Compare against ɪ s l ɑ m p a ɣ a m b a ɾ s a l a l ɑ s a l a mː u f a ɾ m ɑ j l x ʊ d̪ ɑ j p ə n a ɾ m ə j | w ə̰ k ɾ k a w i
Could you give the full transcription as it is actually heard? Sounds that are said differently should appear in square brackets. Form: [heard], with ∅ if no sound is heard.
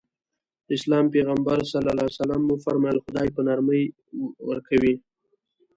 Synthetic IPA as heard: ɪ s l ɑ m p [e] ɣ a m b a ɾ s a l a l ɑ s a l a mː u f a ɾ m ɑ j l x ʊ d̪ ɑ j p ə n a ɾ m ə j | w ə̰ [∅] ɾ k a w i

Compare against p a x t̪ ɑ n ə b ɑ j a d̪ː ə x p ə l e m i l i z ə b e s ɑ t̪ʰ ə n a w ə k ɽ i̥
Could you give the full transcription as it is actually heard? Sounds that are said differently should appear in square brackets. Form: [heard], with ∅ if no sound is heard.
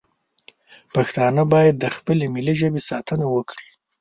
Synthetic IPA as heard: p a x t̪ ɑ n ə b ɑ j a d̪ː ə x p ə l e m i l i [ʒ] ə b e s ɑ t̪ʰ ə n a w ə k ɽ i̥

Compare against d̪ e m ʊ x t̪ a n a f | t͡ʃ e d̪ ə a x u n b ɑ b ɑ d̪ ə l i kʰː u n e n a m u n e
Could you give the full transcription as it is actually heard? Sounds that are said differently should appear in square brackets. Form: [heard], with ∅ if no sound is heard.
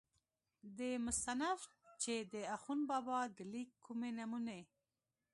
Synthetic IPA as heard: d̪ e m ʊ [s] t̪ a n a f | t͡ʃ e d̪ ə a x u n b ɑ b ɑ d̪ ə l i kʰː u [m] e n a m u n e

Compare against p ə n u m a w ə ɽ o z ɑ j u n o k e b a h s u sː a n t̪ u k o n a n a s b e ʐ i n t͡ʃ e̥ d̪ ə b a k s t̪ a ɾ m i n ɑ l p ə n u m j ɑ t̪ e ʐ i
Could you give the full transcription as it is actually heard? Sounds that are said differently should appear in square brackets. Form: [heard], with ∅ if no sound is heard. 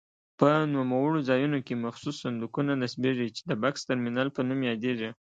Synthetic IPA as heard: p ə n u m a w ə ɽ o z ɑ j u n o k e [m] a [x] s u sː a n [d̪] u k [u] n a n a s b e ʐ i [∅] t͡ʃ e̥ d̪ ə b a k s t̪ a ɾ m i n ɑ l p ə n u m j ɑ [d̪] e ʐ i

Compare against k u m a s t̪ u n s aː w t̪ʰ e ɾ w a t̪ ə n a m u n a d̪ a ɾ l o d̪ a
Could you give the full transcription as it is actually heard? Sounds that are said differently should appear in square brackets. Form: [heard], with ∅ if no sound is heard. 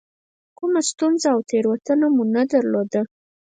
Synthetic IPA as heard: k u m a s t̪ u n [z] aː w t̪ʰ e ɾ w a t̪ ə n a m u n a d̪ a ɾ l o d̪ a

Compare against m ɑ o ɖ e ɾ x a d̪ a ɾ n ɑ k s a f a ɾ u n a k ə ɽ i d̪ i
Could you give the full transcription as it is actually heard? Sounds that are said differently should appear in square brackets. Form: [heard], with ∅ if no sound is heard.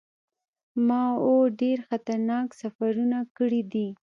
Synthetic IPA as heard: m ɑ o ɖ e ɾ x a [t̪] a ɾ n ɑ k s a f a ɾ u n a k ə ɽ i d̪ i

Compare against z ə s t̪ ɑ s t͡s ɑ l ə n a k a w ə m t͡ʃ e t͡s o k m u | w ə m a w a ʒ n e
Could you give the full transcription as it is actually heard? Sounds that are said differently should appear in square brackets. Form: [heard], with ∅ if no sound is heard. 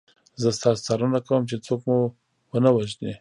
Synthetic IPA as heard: z ə s t̪ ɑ s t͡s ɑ [ɾ] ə n a k a w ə m t͡ʃ e t͡s o k m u | w ə [n] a w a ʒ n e

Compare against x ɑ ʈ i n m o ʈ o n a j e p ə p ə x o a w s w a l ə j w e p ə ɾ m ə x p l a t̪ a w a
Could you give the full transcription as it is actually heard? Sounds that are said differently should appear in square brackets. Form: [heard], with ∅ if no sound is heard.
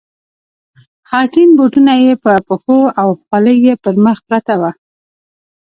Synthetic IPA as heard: x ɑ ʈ i n [b] o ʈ [u] n a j e p ə p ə x o a w [x] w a l ə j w e p ə ɾ m ə x p [ɾ] a t̪ a w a

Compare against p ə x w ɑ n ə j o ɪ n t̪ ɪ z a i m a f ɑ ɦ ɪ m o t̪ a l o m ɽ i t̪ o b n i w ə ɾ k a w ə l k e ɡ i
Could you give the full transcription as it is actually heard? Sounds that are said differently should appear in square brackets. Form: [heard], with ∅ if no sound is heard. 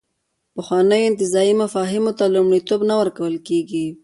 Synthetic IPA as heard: p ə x w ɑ n ə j o ɪ n t̪ ɪ z [ɑ] i m a f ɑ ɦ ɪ m o t̪ a l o m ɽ i t̪ o b n [a] w ə ɾ k a w ə l k e ɡ i

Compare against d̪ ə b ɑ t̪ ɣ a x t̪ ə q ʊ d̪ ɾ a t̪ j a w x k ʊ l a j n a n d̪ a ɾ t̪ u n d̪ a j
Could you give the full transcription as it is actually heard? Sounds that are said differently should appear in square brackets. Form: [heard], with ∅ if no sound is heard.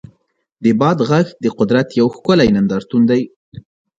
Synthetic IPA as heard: d̪ ə b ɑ [d̪] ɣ a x [d̪] ə q ʊ d̪ ɾ a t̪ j a w x k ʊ l a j n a n d̪ [ɑ] ɾ t̪ u n d̪ a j

